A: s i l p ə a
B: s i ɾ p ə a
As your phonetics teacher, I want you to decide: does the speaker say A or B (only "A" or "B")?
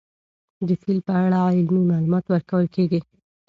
A